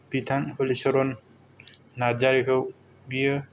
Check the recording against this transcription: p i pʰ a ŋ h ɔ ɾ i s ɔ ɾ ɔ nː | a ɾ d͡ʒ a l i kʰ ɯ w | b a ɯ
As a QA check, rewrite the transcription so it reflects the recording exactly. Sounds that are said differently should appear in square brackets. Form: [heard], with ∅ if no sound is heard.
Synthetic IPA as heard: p i [tʰ] a ŋ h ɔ [l] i s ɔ ɾ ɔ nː | a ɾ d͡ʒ a [ɾ] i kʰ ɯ w | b [i] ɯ